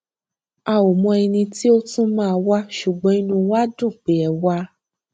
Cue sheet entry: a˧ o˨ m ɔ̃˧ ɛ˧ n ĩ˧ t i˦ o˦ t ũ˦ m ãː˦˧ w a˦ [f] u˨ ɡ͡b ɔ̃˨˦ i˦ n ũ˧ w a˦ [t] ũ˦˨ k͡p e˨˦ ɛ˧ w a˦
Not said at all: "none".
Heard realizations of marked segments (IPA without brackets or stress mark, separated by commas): ʃ, d